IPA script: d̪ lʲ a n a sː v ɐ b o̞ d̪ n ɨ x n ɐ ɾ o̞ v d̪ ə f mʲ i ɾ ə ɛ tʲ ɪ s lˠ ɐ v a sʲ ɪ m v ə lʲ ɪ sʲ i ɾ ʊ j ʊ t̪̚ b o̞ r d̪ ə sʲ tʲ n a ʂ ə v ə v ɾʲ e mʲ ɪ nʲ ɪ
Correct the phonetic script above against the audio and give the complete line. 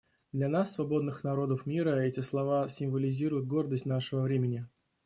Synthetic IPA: d̪ lʲ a n a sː v ɐ b o̞ d̪ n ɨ x n ɐ ɾ o̞ d̪ ə f mʲ i ɾ ə ɛ tʲ ɪ s lˠ ɐ v a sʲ ɪ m v ə lʲ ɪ zʲ i ɾ ʊ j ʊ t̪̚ ɡ o̞ r d̪ ə sʲ tʲ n a ʂ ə v ə v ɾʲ e mʲ ɪ nʲ ɪ